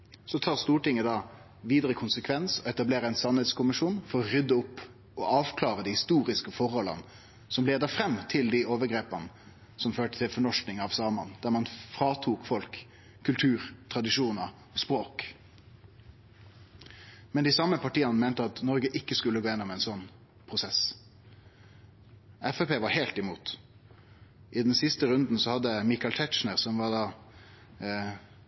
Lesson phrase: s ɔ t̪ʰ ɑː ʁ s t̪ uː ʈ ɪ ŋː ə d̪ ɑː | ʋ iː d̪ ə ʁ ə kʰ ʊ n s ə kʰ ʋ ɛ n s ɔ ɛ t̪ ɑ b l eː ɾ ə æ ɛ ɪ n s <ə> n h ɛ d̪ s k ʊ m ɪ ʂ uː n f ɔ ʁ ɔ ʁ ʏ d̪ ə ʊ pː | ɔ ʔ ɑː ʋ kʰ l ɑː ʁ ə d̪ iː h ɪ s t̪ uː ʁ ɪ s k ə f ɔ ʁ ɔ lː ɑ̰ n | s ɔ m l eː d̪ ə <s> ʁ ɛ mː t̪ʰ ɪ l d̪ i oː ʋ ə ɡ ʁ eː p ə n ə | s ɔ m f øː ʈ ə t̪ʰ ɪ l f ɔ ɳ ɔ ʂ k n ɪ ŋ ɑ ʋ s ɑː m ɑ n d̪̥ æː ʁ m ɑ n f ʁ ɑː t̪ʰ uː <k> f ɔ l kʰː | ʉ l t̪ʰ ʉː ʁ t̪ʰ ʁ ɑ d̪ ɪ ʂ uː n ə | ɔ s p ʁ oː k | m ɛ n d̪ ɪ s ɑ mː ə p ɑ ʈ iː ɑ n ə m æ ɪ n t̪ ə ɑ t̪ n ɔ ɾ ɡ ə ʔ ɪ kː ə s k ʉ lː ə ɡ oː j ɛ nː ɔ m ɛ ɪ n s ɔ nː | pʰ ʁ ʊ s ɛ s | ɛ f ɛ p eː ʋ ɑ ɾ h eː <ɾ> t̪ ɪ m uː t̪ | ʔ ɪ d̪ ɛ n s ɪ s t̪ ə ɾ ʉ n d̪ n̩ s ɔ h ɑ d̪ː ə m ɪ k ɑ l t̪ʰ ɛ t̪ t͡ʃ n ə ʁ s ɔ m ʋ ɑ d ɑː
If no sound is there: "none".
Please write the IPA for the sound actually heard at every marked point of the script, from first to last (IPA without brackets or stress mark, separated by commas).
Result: ɑ, f, k, l